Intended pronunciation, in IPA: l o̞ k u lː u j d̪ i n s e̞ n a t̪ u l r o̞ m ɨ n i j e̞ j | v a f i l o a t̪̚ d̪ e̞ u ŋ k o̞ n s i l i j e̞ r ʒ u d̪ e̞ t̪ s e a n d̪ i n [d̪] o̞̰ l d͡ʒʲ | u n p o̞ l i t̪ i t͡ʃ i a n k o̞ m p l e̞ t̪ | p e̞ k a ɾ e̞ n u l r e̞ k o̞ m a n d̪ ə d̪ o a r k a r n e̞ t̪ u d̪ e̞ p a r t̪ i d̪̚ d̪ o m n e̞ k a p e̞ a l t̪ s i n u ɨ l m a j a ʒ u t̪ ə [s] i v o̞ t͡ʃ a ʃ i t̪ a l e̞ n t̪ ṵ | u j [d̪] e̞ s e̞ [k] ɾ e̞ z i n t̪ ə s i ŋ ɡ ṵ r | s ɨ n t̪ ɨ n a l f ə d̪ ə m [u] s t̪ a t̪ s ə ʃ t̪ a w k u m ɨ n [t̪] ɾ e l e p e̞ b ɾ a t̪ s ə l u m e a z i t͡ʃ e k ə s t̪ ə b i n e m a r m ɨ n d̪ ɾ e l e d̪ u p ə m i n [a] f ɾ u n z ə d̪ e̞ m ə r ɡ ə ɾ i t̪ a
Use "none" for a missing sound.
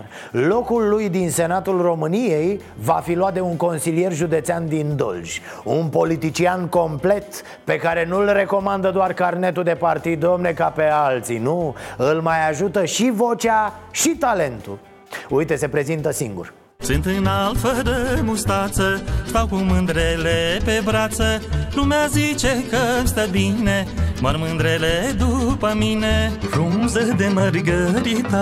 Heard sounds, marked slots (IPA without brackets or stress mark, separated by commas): d̪, ʃ, t̪, p, u, d̪, e